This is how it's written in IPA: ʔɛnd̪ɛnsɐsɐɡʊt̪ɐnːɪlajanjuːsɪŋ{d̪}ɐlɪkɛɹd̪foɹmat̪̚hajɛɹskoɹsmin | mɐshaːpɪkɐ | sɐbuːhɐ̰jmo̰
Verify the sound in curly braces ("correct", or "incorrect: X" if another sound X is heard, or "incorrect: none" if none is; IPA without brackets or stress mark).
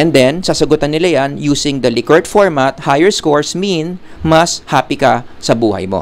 correct